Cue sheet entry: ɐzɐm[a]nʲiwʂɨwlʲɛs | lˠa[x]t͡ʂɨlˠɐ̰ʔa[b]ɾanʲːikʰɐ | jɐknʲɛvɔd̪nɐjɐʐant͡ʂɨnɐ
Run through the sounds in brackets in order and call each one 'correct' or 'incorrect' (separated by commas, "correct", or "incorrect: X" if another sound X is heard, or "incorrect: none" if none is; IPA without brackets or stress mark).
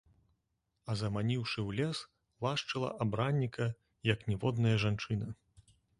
correct, incorrect: ʂ, correct